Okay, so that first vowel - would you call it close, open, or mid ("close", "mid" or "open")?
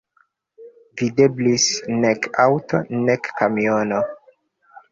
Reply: close